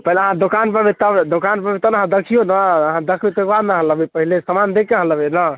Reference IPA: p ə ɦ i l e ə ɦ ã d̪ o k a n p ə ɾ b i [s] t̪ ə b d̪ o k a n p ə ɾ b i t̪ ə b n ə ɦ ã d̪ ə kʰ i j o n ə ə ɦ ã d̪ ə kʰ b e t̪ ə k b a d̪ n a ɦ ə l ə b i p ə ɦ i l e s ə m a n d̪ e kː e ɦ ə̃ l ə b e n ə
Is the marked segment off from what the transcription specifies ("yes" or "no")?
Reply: yes